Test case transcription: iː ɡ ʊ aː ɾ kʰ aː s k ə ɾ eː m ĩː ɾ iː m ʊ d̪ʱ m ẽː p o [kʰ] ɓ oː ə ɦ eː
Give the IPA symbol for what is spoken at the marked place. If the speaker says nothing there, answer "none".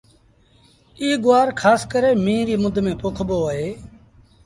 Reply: kʰ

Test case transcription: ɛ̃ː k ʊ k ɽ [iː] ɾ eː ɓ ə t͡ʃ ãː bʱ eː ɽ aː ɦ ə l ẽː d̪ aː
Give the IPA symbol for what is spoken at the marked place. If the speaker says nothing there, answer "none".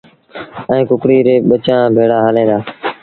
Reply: iː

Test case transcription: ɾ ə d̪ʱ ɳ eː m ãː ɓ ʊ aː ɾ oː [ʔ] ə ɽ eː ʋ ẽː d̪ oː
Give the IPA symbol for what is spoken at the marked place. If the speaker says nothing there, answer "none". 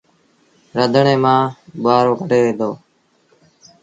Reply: k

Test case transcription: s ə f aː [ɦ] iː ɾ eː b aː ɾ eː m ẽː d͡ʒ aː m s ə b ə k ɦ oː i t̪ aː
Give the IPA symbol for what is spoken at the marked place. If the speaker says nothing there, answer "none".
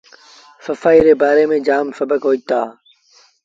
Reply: none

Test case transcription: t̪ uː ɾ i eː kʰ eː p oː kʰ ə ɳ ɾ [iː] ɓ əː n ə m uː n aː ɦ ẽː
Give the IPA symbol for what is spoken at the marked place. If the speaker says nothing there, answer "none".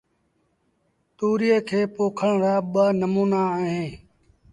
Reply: aː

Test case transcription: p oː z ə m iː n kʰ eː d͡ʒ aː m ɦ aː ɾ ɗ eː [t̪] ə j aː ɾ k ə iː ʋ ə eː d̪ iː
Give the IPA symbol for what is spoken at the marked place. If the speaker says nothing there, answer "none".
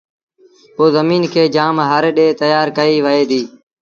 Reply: t̪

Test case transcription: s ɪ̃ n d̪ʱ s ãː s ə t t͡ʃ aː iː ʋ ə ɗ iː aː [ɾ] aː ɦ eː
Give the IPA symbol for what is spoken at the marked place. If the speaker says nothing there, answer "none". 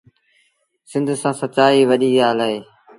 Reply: l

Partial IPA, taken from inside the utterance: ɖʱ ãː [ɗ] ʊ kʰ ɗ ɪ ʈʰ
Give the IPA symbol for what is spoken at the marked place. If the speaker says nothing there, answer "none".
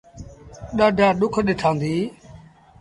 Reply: ɗ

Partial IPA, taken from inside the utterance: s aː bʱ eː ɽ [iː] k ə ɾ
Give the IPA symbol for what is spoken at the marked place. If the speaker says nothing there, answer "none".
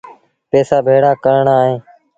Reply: aː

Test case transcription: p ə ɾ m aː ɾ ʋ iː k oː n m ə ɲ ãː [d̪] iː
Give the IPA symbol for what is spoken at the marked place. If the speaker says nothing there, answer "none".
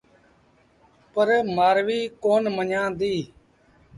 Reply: d̪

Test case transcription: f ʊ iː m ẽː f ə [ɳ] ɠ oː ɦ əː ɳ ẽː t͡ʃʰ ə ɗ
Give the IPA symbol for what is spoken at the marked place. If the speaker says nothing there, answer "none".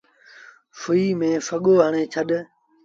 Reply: none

